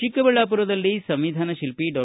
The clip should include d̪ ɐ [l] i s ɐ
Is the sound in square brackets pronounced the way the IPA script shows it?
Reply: no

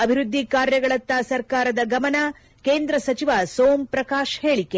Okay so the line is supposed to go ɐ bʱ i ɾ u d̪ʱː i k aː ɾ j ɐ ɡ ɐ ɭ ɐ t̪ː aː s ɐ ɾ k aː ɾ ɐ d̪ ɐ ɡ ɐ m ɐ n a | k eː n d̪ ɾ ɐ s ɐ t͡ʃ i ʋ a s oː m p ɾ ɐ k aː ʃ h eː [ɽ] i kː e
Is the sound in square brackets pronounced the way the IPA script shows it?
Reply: no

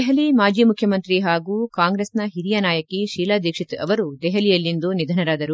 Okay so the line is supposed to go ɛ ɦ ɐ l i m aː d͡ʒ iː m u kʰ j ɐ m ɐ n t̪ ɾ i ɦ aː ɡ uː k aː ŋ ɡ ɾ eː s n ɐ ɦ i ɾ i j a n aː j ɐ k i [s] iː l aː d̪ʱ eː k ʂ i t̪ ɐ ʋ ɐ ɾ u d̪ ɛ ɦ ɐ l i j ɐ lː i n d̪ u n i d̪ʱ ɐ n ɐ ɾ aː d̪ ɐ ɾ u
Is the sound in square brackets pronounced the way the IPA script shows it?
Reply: no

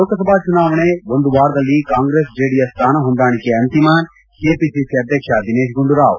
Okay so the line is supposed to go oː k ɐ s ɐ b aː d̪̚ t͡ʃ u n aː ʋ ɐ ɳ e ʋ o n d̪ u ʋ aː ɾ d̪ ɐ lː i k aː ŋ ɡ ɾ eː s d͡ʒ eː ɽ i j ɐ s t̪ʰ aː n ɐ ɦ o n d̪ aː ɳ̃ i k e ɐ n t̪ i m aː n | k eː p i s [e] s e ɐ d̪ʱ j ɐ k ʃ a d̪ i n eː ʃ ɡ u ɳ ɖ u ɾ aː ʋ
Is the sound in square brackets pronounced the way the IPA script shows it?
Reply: no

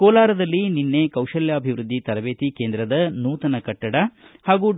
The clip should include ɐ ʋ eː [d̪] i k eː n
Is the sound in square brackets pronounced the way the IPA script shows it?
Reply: no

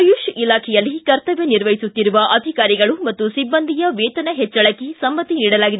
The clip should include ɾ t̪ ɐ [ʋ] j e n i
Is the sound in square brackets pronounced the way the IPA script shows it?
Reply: yes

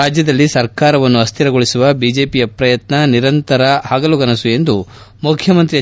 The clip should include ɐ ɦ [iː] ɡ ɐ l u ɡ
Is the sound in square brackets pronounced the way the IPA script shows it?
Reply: no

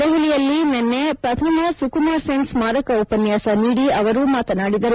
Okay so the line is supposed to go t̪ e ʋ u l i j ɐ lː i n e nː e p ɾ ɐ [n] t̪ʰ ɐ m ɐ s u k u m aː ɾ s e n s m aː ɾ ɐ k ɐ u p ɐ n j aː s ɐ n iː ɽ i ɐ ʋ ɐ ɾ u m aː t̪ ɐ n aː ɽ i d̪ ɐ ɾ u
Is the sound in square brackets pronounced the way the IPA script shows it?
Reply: no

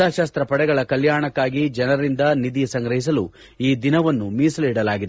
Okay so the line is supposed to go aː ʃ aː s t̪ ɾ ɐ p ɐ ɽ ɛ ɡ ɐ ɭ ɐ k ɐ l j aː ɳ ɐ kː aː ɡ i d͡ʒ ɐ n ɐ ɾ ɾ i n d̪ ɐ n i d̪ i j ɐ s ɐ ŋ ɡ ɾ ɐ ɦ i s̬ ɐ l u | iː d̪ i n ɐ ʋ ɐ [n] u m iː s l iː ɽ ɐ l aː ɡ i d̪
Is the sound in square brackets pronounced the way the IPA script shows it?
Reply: no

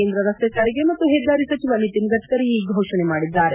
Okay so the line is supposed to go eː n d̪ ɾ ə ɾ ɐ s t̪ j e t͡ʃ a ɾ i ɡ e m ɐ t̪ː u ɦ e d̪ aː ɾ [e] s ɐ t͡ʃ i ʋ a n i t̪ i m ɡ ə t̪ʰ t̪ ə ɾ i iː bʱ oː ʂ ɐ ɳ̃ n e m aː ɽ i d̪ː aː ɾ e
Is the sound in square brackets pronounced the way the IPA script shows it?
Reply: no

